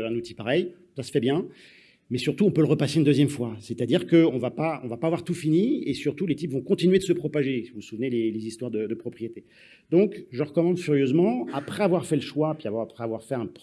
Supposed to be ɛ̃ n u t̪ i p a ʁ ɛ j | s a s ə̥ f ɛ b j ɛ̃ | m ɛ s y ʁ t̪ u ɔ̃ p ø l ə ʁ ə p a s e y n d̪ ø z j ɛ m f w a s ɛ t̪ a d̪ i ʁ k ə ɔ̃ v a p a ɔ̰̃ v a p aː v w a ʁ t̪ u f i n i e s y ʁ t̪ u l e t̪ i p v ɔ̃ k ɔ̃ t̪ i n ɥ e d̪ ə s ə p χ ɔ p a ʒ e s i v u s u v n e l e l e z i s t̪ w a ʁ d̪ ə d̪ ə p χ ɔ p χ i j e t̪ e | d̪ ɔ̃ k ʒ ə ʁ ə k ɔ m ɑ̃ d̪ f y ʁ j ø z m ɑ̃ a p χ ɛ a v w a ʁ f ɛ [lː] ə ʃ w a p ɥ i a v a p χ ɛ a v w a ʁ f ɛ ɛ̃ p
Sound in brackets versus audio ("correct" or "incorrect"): incorrect